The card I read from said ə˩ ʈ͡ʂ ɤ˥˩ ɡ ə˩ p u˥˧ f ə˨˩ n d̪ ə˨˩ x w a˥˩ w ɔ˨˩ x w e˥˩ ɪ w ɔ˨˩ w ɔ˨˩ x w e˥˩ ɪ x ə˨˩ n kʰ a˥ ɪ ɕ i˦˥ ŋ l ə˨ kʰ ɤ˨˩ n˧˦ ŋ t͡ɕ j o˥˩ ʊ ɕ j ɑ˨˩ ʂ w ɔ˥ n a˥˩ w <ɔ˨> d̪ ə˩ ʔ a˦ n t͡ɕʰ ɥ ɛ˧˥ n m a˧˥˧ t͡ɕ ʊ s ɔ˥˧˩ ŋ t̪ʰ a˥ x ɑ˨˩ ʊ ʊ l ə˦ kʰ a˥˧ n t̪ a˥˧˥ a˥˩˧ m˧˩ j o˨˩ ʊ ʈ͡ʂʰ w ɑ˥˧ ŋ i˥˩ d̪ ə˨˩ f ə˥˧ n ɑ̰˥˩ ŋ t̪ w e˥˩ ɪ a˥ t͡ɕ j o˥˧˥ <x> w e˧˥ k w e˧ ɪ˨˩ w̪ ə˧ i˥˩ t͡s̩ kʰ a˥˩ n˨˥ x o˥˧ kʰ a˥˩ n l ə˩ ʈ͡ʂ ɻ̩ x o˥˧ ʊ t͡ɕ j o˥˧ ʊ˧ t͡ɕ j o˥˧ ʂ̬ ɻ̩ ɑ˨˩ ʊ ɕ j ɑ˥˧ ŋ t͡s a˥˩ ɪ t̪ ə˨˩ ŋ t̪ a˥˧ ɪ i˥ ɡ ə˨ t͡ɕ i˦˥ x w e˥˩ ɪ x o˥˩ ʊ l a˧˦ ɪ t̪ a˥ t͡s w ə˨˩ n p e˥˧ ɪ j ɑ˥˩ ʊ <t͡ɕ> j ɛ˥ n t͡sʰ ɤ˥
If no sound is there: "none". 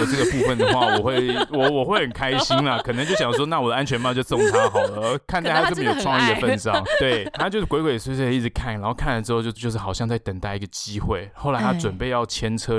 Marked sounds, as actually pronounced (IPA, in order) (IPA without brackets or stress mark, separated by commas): ɔ˨, k, t͡ɕʰ